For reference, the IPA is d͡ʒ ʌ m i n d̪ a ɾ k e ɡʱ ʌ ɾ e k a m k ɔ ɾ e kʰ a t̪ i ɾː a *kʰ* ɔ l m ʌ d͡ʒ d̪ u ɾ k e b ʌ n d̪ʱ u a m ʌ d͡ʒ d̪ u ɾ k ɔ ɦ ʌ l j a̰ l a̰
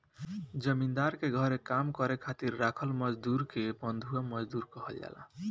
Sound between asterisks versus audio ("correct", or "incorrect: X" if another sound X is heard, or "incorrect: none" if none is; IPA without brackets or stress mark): correct